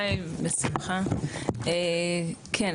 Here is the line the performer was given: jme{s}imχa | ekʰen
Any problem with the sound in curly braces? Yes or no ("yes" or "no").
no